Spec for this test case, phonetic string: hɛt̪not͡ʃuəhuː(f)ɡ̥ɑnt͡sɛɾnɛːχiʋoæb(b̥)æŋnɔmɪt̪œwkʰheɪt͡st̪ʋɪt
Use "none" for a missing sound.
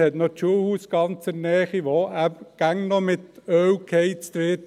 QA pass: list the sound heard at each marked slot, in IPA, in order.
s, ɡ̥

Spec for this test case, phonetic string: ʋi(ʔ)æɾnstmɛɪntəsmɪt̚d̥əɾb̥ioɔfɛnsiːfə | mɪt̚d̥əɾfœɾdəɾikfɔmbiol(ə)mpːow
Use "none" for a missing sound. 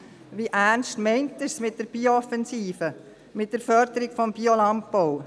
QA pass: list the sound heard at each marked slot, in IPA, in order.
ʔ, ɑ

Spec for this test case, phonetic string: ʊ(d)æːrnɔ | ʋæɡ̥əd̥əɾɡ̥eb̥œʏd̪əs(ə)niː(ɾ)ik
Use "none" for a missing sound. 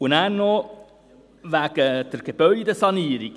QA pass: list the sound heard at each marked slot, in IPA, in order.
n, ɑ, ɾ

